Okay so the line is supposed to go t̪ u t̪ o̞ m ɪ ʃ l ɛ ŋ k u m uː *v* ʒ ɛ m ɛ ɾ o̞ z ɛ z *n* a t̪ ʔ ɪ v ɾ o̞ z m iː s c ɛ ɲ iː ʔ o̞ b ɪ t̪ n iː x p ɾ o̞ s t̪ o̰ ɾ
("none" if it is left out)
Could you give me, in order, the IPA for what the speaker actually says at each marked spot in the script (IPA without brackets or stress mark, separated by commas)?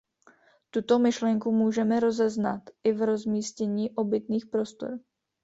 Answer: none, n